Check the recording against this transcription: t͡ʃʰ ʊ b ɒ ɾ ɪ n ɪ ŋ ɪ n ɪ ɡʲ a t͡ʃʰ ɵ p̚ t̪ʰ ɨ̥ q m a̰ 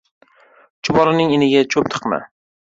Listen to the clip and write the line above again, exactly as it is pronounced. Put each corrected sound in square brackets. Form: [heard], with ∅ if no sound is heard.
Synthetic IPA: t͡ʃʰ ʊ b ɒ ɾ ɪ n ɪ ŋ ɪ n ɪ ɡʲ a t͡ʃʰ ɵ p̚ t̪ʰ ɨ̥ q m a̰

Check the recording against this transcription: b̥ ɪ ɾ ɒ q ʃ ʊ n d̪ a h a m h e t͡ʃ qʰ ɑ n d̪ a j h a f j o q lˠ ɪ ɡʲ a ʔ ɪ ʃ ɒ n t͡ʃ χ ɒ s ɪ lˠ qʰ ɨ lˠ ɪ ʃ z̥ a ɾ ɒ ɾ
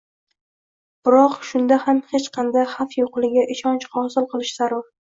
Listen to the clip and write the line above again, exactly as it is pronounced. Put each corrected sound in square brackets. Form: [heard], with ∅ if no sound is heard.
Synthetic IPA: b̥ ɪ ɾ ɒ q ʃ ʊ n d̪ a h a m h e t͡ʃ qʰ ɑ n d̪ a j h a f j o q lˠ ɪ ɡʲ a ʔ ɪ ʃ ɒ n t͡ʃ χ ɒ s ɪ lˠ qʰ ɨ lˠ ɪ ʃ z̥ a ɾ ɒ ɾ

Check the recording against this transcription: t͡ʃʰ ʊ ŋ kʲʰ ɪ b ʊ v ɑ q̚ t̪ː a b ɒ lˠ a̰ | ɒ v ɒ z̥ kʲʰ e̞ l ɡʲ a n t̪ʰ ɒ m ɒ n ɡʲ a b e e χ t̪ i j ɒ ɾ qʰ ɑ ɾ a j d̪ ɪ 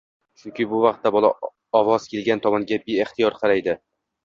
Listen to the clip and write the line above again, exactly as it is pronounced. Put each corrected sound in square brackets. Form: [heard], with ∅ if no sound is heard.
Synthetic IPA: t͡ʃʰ ʊ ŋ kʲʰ ɪ b ʊ v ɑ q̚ t̪ː a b ɒ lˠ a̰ | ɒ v ɒ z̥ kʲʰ e̞ l ɡʲ a n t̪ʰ ɒ m ɒ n ɡʲ a b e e χ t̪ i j ɒ ɾ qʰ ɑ ɾ a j d̪ ɪ

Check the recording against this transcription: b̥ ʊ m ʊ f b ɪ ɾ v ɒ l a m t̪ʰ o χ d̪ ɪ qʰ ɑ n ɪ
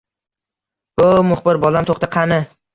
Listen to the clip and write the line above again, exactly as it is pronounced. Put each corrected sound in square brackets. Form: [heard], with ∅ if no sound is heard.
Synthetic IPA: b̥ ʊ m ʊ [χ] b ɪ ɾ [b] ɒ l a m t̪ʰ o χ [t̪] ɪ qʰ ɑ n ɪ

